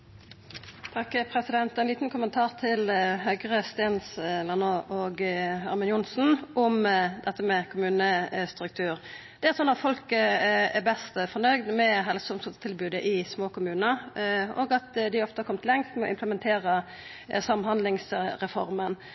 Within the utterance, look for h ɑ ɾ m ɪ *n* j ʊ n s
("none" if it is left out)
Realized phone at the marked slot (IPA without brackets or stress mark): n